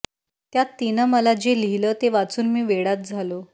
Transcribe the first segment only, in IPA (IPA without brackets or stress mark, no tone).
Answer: t̪